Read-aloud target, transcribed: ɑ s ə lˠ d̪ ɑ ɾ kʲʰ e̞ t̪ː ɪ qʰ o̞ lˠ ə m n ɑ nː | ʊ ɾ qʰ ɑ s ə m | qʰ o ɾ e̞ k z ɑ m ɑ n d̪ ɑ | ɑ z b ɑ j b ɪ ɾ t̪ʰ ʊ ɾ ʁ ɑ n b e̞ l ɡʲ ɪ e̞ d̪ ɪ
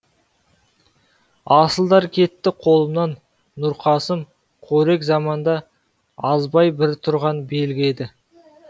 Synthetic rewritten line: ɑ s ə lˠ d̪ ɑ ɾ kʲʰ e̞ t̪ː ɪ qʰ o̞ lˠ ə m n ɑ nː | ʊ ɾ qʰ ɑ s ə m | qʰ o ɾ e̞ k z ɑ m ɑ n d̪ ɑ | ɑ z b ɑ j b ɪ ɾ t̪ʰ ʊ ɾ ʁ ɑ n b e̞ l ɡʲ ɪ e̞ d̪ ɪ